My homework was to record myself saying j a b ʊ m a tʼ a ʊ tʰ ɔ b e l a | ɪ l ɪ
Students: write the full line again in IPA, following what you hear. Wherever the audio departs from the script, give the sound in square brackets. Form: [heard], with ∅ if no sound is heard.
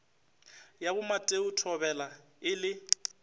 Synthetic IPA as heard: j a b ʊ m a tʼ [e] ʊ tʰ ɔ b [ɛ] l a | ɪ l ɪ